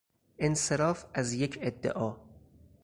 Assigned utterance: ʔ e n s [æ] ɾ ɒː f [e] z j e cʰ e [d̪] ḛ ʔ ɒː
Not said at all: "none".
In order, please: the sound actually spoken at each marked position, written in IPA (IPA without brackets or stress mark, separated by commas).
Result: e, æ, d̪ː